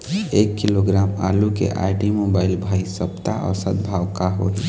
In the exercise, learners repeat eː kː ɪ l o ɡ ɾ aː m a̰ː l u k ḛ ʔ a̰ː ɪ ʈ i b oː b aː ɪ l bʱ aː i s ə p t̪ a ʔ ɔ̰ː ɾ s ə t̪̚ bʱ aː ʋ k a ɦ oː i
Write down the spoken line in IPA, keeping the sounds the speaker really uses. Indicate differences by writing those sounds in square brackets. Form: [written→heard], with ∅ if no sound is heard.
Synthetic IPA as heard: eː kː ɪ l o ɡ ɾ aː m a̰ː l u k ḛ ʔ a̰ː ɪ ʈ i [b→m] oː b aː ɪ l bʱ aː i s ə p t̪ a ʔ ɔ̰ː ɾ s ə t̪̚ bʱ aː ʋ k a ɦ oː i